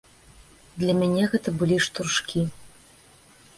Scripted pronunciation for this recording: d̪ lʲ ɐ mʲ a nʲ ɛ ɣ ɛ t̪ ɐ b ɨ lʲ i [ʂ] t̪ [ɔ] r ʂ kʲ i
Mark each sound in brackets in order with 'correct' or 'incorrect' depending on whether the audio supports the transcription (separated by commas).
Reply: correct, incorrect